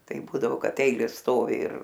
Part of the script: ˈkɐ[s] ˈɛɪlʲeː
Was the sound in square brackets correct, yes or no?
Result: no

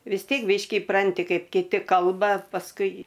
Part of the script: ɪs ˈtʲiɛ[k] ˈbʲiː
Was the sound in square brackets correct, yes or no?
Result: yes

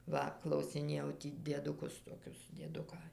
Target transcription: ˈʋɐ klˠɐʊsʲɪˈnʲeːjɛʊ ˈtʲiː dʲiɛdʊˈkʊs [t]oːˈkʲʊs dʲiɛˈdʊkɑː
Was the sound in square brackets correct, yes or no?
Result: yes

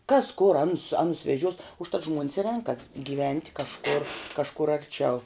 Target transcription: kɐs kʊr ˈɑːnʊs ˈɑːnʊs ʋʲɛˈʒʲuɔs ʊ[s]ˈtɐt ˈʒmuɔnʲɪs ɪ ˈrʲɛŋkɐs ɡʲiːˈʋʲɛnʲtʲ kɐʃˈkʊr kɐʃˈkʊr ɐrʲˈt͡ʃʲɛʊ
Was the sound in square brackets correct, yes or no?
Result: no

